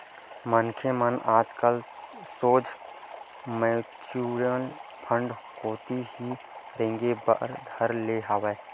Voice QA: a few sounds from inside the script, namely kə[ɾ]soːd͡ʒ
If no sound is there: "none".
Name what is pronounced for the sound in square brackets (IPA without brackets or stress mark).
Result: l